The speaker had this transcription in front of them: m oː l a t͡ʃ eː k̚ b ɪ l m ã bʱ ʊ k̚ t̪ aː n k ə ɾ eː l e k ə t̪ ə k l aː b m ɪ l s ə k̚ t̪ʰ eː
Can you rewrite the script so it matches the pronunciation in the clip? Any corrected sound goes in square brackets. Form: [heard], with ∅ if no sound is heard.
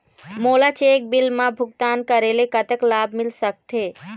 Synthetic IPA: m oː l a t͡ʃ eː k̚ b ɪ l m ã bʱ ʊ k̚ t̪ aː n k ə ɾ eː l e k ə t̪ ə k l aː b m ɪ l s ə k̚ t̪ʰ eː